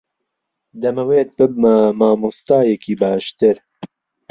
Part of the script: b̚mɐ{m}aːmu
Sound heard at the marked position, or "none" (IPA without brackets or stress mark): m